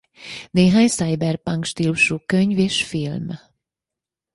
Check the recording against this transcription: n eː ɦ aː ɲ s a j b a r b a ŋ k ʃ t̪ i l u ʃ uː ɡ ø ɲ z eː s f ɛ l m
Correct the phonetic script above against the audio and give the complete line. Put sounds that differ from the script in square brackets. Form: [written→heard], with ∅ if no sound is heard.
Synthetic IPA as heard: n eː ɦ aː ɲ s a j b [a→ɛ] r [b→p] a ŋ k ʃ t̪ i l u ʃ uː [ɡ→k] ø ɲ [z→v] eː [s→ʃ] f [ɛ→i] l m